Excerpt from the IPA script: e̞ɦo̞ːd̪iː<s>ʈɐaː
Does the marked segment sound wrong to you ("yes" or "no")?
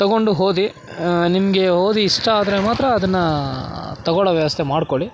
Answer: yes